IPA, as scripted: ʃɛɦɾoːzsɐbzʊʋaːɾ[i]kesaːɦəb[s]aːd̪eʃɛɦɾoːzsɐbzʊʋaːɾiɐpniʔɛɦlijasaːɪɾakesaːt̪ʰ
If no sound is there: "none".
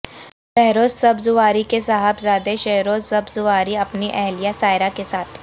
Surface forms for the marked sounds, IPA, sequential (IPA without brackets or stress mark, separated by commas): i, z